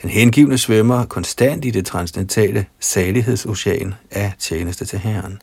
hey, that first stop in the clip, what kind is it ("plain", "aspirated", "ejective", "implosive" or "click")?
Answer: plain